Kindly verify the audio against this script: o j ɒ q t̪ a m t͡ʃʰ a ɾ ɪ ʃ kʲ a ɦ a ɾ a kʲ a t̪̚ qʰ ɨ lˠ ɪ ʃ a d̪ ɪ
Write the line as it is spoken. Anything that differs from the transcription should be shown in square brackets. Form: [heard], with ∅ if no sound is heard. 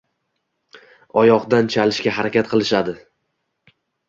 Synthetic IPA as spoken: [ɒ] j ɒ q [d̪] a [n] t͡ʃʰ a [l] ɪ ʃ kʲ a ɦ a ɾ a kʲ a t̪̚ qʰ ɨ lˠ ɪ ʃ a d̪ ɪ